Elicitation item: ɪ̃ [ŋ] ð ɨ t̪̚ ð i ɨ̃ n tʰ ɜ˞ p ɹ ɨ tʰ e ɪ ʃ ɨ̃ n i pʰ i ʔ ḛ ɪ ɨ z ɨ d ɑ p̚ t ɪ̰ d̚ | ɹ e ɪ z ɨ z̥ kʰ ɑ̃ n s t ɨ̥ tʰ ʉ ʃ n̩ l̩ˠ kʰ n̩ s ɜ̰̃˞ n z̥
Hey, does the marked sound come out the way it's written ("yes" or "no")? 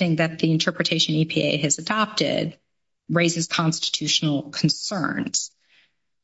yes